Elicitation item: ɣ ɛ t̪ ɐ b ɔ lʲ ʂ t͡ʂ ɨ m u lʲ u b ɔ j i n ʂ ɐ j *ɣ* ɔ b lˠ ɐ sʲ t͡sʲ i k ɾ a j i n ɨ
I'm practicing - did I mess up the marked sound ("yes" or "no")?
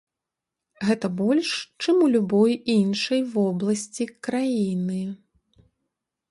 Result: yes